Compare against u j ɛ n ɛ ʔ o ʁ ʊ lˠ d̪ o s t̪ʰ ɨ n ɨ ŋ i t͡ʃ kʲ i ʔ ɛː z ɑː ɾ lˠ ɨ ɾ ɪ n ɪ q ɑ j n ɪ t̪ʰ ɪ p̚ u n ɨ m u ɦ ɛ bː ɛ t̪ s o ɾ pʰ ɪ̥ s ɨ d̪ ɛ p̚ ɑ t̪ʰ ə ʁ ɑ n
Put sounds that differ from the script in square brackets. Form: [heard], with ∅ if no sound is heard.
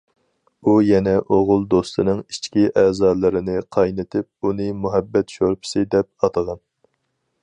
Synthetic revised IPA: u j ɛ n ɛ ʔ o ʁ ʊ lˠ d̪ o s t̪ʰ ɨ n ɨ ŋ i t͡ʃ kʲ i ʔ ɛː z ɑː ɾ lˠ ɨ ɾ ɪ n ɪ [qʰ] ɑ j n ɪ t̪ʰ ɪ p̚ u n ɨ m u ɦ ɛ bː ɛ t̪ [ʃ] o ɾ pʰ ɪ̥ s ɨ d̪ ɛ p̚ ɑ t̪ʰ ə ʁ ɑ n